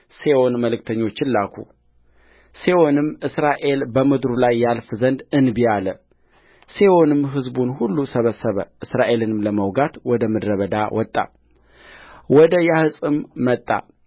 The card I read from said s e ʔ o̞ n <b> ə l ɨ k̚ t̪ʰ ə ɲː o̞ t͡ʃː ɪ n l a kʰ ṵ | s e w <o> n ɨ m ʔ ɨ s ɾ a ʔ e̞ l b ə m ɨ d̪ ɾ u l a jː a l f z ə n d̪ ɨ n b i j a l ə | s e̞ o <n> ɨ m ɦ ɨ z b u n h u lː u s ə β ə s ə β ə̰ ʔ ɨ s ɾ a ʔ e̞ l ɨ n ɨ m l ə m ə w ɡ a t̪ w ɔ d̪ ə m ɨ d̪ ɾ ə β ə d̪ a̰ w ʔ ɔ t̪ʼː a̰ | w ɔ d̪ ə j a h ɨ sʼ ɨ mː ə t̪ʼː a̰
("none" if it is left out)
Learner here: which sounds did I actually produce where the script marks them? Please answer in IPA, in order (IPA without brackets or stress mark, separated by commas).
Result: m, o, n